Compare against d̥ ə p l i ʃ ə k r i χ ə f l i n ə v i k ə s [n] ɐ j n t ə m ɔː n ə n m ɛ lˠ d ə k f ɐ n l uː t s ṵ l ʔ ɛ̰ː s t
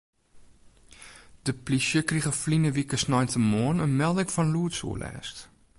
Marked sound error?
no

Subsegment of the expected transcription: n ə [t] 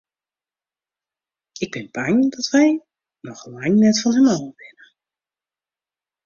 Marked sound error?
yes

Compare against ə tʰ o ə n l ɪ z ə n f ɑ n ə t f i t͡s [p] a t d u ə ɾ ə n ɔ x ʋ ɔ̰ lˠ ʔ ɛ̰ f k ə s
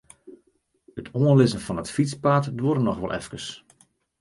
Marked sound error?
no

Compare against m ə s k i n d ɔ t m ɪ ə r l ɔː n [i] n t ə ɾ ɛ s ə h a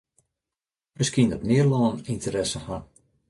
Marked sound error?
no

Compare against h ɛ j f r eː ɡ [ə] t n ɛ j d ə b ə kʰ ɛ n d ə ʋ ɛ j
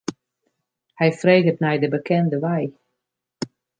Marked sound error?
no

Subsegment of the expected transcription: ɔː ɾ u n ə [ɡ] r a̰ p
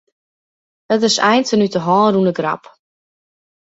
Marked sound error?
no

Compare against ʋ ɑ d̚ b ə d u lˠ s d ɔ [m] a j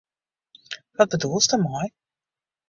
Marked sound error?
no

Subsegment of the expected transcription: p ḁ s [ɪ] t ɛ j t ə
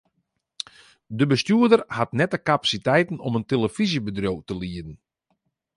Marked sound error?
yes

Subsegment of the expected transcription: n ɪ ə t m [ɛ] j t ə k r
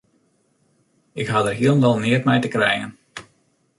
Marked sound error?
no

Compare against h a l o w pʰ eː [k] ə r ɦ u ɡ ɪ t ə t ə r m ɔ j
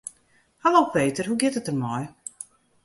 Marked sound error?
yes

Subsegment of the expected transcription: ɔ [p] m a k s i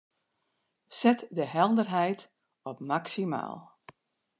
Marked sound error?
no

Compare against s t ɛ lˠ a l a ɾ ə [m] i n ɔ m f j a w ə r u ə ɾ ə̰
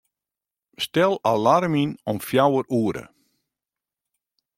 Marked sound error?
no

